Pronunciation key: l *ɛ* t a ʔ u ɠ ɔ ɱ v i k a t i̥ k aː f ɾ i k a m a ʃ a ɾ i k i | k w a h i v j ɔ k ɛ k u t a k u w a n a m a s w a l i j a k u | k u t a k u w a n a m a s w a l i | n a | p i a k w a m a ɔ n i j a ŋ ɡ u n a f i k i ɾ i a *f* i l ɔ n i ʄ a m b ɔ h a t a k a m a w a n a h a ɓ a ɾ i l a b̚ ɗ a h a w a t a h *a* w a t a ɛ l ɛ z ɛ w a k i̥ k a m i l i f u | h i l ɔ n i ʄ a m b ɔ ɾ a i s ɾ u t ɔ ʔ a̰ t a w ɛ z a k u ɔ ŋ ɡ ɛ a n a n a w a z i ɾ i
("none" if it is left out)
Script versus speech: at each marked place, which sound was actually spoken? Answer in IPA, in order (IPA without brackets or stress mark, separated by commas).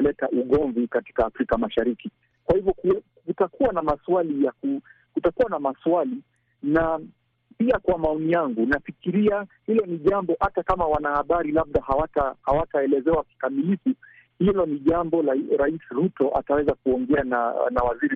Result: ɛ, h, a